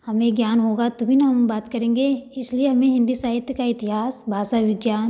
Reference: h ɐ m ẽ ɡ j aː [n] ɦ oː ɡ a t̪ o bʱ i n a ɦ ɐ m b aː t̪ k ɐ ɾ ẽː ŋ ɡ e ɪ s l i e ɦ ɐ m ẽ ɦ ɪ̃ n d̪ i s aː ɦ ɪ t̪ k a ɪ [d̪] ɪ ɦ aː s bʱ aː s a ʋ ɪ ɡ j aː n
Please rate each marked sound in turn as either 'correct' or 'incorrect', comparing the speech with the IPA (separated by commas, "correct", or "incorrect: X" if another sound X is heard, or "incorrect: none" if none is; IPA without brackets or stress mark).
correct, incorrect: t̪